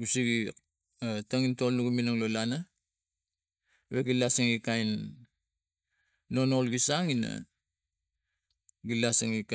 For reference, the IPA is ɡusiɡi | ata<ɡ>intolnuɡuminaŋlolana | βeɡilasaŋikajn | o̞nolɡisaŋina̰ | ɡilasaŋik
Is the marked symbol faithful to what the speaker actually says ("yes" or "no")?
no